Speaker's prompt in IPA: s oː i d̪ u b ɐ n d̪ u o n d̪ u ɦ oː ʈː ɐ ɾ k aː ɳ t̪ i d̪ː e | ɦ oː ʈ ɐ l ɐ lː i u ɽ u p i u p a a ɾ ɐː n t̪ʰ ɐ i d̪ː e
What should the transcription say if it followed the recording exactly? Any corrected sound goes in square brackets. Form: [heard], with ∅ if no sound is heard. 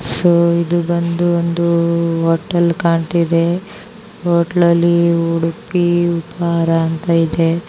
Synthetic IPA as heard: s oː i d̪ u b ɐ n d̪ u o n d̪ u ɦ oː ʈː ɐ [l] k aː ɳ t̪ i [d̪] e | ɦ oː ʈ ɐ l ɐ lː i u ɽ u p i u p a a ɾ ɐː n [t̪] ɐ i [d̪] e